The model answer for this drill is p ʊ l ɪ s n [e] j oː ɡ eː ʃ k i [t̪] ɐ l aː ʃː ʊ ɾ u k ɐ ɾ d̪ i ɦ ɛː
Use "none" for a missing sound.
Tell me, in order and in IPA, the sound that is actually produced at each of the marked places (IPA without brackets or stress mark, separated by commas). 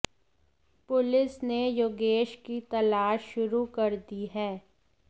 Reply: e, t̪